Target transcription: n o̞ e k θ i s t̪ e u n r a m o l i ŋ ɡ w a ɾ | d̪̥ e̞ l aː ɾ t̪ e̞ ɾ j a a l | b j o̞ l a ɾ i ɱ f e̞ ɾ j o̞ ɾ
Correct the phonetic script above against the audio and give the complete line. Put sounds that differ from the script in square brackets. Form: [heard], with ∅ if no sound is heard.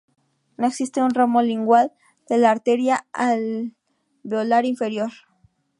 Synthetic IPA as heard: n o̞ e k [s] i s t̪ e u n r a m o l i ŋ ɡ w a [l] | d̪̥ e̞ l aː ɾ t̪ e̞ ɾ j a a l | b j o̞ l a ɾ i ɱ f e̞ ɾ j o̞ ɾ